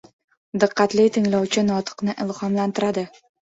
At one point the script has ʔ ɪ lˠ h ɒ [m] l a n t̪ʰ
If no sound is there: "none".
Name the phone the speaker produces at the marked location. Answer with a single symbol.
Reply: m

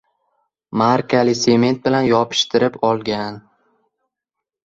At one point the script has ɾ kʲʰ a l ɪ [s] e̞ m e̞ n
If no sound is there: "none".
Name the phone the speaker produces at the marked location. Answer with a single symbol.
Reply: s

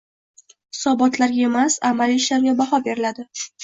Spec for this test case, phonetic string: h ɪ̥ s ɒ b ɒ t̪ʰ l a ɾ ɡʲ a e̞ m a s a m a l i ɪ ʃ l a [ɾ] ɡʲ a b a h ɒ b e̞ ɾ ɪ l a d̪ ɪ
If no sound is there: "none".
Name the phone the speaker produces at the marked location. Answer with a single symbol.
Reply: ɾ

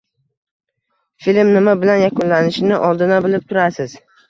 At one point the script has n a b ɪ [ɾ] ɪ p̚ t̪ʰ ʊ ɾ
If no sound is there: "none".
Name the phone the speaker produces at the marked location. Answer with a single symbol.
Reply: l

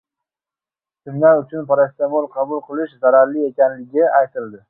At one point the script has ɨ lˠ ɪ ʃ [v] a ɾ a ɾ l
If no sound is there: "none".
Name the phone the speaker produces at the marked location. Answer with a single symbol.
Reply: z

